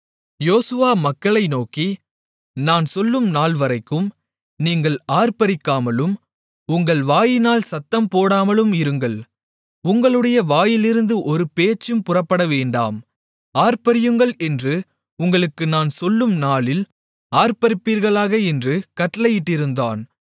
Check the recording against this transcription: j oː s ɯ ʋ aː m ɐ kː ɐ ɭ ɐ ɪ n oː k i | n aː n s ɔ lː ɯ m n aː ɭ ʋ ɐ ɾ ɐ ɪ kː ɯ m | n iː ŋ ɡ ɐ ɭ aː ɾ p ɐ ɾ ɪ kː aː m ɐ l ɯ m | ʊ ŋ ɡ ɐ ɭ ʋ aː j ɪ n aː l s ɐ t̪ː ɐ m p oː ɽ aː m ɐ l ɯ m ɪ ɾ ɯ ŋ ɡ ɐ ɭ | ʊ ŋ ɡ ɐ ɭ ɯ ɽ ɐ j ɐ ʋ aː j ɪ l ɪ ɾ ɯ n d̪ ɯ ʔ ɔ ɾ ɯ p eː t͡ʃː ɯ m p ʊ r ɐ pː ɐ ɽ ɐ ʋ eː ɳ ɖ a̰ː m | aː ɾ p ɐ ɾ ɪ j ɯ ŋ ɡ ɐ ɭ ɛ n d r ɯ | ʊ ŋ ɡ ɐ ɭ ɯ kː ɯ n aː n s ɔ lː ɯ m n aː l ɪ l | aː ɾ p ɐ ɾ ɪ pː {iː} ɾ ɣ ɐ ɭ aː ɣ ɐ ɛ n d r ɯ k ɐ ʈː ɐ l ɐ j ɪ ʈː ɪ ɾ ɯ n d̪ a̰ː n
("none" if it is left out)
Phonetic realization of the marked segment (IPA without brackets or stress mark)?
iː